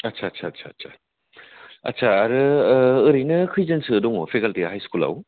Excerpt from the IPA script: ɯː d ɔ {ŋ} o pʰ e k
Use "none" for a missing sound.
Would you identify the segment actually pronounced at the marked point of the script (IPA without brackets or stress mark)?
ŋ